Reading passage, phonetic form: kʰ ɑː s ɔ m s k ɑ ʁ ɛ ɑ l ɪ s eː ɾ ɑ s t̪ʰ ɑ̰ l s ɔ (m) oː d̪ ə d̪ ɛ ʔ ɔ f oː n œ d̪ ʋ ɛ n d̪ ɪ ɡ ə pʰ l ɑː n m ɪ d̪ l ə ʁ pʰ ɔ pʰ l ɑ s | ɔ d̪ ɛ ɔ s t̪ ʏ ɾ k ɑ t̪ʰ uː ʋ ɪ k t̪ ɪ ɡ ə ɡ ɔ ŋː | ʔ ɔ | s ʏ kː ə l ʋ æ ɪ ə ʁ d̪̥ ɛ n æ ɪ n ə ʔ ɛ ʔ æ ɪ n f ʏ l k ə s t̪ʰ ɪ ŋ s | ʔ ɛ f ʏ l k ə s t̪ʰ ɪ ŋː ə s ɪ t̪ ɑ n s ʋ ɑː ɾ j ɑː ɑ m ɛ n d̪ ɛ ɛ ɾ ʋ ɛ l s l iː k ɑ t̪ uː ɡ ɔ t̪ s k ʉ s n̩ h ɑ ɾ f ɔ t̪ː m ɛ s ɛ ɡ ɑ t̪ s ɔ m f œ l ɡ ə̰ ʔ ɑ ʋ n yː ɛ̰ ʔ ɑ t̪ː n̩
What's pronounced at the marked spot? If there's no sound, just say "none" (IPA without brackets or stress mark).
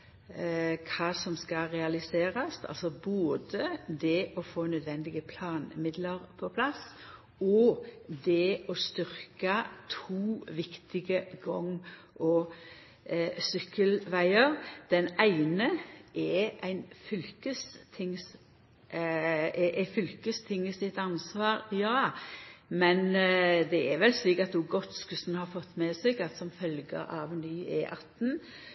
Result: b